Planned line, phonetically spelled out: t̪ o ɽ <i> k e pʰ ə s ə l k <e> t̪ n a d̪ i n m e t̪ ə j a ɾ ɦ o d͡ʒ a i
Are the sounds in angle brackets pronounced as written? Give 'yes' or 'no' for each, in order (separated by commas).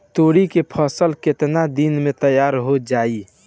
yes, yes